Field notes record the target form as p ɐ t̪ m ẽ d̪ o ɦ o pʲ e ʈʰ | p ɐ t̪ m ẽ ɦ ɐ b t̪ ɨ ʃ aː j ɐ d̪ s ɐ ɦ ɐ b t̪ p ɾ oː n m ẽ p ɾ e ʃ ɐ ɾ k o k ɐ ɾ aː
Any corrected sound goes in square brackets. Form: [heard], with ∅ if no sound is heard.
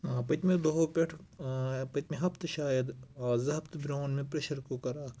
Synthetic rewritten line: p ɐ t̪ m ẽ d̪ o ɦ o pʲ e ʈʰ | p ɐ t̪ m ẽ ɦ ɐ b t̪ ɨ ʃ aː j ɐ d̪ [z] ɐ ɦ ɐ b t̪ [b] ɾ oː n m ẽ p ɾ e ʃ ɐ ɾ k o k ɐ ɾ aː